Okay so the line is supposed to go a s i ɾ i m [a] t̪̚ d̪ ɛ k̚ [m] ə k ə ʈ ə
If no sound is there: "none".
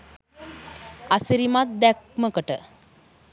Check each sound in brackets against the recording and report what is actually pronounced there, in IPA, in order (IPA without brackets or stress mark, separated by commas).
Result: a, m